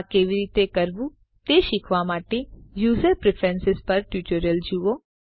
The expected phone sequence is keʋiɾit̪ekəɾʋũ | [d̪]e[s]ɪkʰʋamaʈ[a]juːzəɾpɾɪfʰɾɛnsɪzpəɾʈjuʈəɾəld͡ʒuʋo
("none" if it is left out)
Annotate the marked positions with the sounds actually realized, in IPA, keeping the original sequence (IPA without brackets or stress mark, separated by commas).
t̪, ʃ, e